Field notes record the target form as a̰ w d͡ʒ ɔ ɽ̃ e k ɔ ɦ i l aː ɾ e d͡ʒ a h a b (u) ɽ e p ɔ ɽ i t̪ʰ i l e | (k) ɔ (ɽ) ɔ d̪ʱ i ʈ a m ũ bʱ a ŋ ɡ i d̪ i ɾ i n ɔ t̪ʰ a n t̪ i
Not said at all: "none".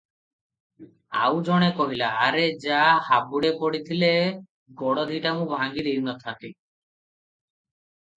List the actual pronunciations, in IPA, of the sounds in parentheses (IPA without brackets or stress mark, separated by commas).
u, ɡ, ɽ